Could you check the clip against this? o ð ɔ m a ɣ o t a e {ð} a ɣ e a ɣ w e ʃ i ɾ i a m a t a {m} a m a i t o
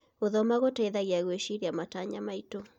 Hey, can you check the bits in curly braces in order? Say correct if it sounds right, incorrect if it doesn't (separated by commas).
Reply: correct, incorrect